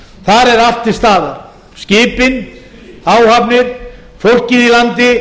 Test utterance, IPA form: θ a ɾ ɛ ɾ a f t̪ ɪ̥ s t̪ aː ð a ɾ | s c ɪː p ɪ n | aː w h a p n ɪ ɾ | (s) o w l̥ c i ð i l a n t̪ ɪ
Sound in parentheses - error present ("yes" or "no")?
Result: yes